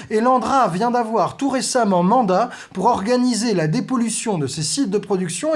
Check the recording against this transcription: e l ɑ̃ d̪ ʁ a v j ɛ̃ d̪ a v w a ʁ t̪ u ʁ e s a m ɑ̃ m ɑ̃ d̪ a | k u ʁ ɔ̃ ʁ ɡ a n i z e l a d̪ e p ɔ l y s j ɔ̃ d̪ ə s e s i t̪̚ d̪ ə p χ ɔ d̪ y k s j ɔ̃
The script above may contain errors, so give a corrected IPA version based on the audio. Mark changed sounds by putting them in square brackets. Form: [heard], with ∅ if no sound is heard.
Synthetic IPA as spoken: e l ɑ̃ d̪ ʁ a v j ɛ̃ d̪ a v w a ʁ t̪ u ʁ e s a m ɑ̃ m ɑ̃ d̪ a | [p] u ʁ [ɔ] ʁ ɡ a n i z e l a d̪ e p ɔ l y s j ɔ̃ d̪ ə s e s i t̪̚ d̪ ə p χ ɔ d̪ y k s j ɔ̃